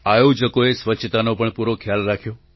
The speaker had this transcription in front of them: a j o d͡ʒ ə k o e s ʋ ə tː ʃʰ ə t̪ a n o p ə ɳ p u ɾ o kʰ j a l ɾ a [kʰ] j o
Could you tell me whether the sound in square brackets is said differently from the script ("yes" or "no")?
no